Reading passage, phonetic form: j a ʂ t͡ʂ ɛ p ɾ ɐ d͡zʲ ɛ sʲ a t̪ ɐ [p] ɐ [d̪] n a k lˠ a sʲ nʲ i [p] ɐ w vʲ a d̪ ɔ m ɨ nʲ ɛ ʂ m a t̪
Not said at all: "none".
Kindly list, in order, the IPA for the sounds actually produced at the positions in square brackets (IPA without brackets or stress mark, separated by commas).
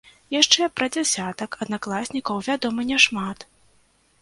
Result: k, d̪, k